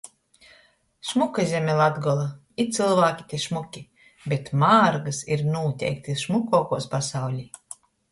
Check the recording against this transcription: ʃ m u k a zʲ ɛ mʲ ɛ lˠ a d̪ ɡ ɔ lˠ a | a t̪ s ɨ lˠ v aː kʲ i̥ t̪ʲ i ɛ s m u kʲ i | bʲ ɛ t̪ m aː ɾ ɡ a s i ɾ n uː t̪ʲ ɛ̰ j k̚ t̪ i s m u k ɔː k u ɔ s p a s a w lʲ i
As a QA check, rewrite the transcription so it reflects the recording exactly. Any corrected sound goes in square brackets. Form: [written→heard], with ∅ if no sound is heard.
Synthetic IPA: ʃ m u k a zʲ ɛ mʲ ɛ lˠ a d̪ ɡ ɔ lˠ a | [a→i] t̪ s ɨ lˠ v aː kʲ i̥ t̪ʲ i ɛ [s→ʃ] m u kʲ i | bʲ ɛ t̪ m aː ɾ ɡ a s i ɾ n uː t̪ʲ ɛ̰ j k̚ t̪ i [s→ʃ] m u k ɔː k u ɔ s p a s a w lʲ i

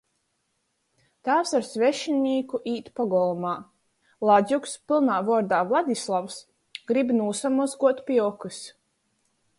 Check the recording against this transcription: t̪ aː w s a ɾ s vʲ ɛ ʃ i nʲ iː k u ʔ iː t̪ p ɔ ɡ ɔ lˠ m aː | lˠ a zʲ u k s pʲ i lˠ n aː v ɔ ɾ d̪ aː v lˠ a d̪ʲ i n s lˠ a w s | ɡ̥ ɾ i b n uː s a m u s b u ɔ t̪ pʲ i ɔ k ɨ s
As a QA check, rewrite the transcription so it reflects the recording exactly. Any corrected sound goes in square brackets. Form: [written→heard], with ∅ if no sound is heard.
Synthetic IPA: t̪ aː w s a ɾ s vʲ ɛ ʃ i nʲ iː k u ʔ iː t̪ p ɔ ɡ ɔ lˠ m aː | lˠ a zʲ u k s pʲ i lˠ n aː v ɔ ɾ d̪ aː v lˠ a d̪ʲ i [n→∅] s lˠ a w s | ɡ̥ ɾ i b n uː s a m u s [b→ɡ] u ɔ t̪ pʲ i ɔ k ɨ s

